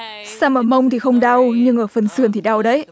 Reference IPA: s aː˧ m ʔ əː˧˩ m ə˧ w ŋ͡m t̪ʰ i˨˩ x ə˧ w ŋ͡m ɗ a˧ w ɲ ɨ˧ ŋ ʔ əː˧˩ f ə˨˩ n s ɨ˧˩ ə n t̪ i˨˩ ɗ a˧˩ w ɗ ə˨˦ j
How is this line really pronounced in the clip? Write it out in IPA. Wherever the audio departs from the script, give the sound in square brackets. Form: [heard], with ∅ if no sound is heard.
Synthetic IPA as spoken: s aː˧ m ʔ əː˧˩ m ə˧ w ŋ͡m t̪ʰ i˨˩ x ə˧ w ŋ͡m ɗ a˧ w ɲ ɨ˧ ŋ ʔ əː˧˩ f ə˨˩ n s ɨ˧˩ ə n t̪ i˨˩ ɗ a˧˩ w ɗ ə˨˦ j